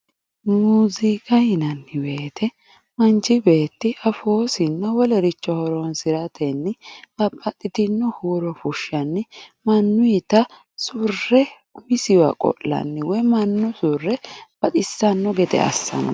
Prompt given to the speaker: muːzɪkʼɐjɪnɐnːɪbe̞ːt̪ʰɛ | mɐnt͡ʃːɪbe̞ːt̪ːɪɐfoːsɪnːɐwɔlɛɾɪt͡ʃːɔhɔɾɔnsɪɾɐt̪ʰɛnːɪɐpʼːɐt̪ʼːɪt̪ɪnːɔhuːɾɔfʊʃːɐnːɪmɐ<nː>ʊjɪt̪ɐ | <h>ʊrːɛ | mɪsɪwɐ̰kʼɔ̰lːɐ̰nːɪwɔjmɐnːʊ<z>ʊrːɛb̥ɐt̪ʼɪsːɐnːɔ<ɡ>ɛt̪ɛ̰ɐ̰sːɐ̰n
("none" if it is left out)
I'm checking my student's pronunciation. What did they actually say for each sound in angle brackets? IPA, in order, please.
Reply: nː, s, s, ɡ

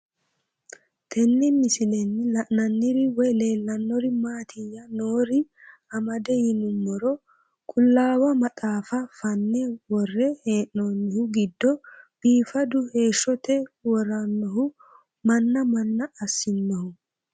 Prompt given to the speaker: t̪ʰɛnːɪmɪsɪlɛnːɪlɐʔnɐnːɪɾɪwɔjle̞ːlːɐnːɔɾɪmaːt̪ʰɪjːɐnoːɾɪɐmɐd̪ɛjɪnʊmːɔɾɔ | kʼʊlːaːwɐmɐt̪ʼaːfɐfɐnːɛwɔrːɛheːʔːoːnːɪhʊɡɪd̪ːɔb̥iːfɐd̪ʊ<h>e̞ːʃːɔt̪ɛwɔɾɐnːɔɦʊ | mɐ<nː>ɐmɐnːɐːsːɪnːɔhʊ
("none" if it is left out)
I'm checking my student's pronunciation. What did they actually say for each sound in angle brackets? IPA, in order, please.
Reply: h, nː

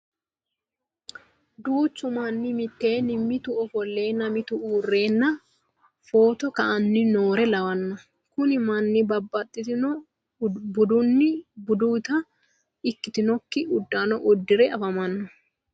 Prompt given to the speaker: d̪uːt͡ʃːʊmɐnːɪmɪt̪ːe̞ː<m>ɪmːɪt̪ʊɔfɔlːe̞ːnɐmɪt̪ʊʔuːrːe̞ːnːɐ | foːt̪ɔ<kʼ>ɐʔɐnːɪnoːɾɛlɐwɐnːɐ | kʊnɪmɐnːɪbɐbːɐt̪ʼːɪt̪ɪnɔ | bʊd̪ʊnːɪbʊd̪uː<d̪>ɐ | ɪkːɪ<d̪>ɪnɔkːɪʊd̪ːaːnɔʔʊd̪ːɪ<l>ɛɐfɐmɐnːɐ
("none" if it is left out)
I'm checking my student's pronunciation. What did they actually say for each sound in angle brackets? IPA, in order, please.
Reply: n, k, t̪, t̪, ɾ

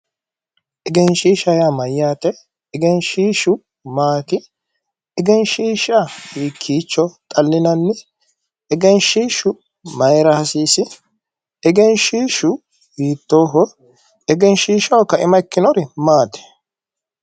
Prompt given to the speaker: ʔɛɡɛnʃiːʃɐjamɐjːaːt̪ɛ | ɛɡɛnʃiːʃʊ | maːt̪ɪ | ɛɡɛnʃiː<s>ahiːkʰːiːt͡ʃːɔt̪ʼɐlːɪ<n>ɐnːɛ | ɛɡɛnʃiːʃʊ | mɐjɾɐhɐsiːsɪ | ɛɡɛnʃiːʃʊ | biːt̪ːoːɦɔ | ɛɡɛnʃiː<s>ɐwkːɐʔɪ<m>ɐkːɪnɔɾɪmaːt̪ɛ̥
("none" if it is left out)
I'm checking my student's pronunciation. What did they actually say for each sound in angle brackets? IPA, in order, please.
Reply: ʃ, n, ʃ, m

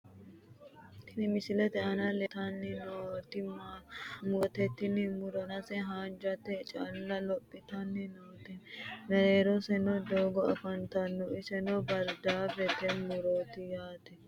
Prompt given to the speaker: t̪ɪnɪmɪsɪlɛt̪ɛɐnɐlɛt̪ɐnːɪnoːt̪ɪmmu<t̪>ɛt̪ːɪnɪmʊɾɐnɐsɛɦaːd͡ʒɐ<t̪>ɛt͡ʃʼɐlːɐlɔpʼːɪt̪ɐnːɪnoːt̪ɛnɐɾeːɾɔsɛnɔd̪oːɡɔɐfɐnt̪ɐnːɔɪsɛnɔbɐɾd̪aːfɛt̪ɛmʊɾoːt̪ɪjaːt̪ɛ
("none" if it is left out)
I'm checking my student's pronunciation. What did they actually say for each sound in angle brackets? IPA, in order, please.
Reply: t̪, t̪

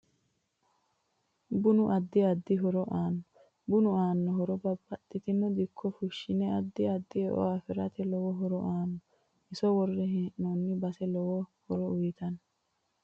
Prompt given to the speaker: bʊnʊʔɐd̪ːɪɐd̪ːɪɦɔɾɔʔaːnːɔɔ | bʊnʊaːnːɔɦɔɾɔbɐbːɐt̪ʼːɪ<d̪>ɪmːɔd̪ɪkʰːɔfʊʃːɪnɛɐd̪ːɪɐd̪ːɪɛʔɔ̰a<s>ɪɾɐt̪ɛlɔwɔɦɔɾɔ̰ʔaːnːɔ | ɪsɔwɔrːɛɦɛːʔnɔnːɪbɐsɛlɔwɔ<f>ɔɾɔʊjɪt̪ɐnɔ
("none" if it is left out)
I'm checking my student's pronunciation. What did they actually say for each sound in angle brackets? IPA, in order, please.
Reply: t̪, f, h

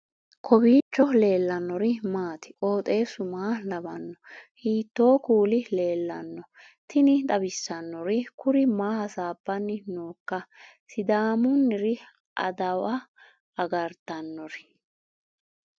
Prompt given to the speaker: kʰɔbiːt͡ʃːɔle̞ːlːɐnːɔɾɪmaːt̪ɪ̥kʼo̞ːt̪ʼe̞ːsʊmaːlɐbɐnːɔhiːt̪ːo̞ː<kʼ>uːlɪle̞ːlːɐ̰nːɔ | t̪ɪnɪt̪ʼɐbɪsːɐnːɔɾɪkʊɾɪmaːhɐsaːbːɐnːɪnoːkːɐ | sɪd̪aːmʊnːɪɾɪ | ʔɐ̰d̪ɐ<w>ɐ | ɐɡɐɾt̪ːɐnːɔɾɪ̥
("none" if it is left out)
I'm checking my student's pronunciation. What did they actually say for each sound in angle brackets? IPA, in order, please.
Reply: k, w

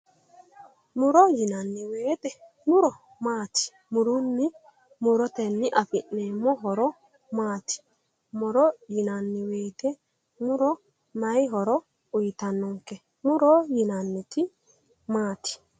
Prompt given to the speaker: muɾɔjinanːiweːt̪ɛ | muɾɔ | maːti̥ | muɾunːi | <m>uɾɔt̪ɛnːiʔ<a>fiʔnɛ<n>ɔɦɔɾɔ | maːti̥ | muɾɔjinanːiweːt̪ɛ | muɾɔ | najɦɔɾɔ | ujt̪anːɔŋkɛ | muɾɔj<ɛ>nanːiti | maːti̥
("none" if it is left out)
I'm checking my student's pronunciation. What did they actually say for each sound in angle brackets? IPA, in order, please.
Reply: m, a, m, i

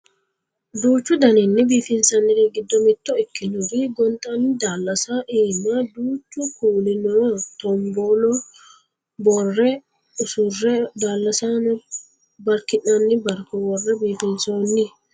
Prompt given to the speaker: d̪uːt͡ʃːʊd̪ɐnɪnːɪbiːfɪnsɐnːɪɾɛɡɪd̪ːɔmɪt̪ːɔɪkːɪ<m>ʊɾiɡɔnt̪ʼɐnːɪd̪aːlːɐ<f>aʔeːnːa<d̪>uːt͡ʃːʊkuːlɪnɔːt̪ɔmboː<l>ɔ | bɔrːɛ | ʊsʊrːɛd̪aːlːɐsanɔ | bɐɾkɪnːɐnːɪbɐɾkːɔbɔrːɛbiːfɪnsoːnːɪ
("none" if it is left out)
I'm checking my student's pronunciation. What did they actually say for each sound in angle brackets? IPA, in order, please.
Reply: n, s, d̪, l

